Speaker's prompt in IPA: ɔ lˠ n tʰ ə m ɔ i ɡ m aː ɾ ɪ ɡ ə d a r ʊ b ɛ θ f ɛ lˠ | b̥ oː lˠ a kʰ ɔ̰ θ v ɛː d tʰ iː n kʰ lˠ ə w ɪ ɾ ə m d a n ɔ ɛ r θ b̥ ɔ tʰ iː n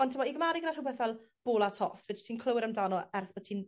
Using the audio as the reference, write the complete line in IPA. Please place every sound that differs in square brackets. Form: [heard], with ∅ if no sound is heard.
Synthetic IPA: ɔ [∅] n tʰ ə m ɔ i ɡ m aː ɾ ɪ ɡ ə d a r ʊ b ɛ θ [v] ɛ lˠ | b̥ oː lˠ a [tʰ] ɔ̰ θ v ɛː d tʰ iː n kʰ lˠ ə w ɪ ɾ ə m d a n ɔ ɛ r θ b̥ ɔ tʰ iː n